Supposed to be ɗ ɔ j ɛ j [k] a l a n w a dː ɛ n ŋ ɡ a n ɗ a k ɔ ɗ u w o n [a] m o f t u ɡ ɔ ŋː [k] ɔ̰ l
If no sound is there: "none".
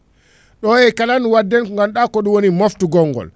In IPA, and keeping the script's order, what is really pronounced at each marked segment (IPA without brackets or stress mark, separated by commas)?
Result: k, i, ɡ